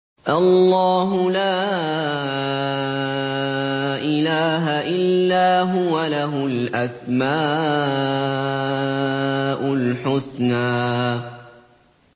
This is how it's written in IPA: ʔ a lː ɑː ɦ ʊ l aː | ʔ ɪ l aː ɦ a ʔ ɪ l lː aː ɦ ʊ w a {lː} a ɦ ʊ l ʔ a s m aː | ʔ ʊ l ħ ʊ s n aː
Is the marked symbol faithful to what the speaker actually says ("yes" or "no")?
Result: no